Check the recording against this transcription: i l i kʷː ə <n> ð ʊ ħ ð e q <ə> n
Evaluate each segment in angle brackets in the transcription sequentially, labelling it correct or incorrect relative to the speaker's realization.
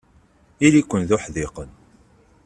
correct, correct

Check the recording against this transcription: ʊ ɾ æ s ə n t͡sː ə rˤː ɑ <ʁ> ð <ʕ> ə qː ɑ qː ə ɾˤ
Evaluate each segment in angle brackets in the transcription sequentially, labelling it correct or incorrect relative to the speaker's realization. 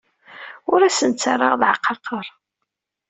correct, correct

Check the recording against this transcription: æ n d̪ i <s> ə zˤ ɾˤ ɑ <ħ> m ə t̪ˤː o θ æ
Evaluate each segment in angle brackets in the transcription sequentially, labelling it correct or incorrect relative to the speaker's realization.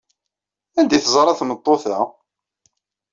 incorrect: θ, incorrect: θ

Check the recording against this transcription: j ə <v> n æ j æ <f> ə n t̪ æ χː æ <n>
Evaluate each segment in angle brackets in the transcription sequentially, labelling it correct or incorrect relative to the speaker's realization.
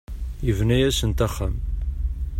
correct, incorrect: s, incorrect: m

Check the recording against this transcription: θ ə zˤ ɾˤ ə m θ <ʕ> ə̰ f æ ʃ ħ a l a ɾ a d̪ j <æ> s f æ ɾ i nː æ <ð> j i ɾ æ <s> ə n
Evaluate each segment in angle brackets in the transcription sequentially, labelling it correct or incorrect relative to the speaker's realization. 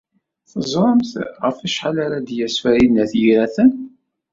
incorrect: ʁ, correct, incorrect: θ, incorrect: θ

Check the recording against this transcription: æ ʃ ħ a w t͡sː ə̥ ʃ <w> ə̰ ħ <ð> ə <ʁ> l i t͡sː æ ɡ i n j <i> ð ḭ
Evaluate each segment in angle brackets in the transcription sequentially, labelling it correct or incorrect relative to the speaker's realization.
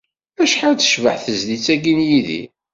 incorrect: v, incorrect: θ, incorrect: z, correct

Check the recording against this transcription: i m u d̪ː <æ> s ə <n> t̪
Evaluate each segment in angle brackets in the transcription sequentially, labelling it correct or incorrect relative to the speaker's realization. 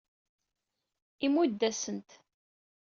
correct, correct

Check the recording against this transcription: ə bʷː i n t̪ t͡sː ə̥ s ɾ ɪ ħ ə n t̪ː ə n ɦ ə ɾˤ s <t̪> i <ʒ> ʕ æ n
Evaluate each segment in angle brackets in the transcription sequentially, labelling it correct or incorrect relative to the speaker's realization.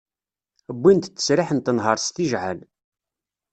correct, correct

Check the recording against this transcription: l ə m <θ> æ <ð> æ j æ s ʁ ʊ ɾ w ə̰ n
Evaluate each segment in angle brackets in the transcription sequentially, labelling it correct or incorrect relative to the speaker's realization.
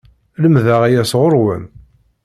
incorrect: ð, incorrect: ʁ

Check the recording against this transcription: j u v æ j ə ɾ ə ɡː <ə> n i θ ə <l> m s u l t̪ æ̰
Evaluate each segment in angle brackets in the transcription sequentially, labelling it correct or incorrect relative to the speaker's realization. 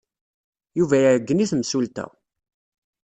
correct, incorrect: none

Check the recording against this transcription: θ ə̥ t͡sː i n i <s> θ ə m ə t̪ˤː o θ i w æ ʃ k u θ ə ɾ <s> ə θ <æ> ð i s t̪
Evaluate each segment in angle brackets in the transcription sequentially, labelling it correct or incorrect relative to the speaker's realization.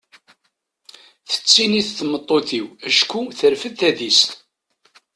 incorrect: θ, incorrect: f, correct

